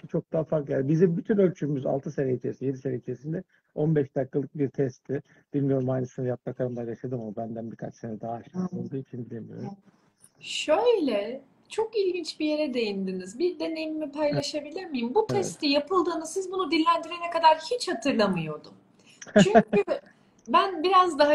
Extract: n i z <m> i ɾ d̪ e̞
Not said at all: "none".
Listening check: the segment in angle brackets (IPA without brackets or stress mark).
b